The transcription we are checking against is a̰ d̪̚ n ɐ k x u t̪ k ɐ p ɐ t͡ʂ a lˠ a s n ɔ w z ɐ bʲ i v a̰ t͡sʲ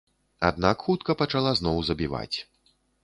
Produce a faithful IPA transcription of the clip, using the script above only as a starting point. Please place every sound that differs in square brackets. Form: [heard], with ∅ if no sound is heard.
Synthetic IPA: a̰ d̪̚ n [a] k x u t̪ k ɐ p ɐ t͡ʂ a lˠ a [z] n ɔ w z ɐ bʲ i v a̰ t͡sʲ